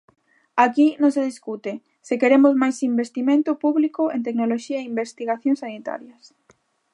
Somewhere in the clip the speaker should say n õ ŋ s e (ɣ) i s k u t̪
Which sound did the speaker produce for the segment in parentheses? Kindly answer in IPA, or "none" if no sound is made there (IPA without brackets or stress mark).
ð